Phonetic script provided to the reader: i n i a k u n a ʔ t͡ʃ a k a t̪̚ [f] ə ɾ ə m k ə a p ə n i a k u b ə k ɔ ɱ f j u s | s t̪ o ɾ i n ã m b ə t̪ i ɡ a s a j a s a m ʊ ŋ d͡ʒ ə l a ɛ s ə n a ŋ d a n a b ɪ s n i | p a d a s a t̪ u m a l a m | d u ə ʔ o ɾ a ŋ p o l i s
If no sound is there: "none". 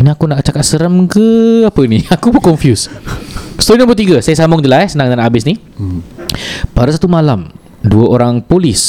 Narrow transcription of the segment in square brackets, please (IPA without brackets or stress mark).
s